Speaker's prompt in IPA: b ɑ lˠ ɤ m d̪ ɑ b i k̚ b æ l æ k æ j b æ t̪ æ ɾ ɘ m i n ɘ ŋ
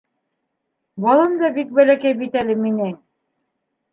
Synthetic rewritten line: b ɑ lˠ ɤ m d̪ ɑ b i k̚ b æ l æ k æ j b i t̪ æ l ɘ m i n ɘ ŋ